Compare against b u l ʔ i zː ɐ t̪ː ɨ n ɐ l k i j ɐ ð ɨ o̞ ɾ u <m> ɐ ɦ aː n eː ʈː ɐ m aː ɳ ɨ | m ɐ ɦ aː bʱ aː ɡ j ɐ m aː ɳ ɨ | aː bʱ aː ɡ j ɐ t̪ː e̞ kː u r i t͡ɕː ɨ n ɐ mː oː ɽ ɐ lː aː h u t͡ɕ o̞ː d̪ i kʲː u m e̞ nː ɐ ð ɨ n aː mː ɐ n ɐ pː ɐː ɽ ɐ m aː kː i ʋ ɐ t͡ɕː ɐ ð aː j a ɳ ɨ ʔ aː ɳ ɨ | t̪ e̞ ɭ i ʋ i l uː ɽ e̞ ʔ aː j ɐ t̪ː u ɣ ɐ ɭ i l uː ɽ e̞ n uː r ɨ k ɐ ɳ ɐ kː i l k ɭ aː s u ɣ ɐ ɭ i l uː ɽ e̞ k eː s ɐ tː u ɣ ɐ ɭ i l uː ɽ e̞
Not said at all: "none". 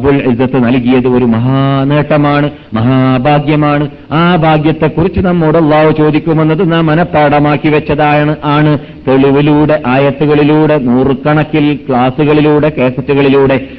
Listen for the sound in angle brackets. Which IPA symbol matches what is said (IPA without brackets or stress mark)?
m